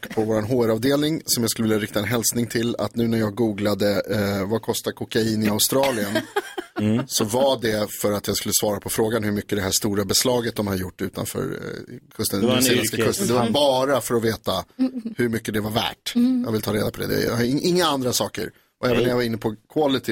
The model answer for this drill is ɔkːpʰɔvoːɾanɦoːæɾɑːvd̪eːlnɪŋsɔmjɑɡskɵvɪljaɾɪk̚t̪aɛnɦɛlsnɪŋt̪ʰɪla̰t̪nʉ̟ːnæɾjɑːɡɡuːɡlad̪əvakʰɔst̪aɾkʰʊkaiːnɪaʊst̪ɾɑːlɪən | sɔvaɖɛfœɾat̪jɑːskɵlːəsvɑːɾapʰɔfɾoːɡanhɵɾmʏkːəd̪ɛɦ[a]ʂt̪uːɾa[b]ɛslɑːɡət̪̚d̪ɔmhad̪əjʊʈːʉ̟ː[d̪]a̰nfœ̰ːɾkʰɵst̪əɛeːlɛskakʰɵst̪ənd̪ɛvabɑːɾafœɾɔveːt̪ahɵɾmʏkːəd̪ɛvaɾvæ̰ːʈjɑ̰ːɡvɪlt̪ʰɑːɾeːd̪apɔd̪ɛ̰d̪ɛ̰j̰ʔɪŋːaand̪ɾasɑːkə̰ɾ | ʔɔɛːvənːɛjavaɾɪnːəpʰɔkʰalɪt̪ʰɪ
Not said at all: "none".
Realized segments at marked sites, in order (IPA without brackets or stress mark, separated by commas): æ, b, t̪